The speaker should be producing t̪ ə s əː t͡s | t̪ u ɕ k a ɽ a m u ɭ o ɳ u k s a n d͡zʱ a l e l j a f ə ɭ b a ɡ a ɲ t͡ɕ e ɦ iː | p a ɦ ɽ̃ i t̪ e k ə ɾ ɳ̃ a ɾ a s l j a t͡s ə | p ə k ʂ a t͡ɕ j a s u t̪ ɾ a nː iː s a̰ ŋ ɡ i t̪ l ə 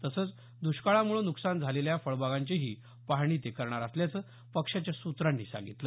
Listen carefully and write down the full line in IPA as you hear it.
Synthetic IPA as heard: t̪ ə s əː t͡s | d̪ u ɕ k a ɭ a m u ɭ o n u k s a n d͡zʱ a l e l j a f ə ɭ b a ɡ a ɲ t͡ɕ e ɦ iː | p a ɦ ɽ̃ i t̪ e k ə ɾ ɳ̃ a ɾ a s l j a t͡s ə | p ə k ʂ a t͡ɕ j a s u t̪ ɾ a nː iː s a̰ ŋ ɡ i t̪ l ə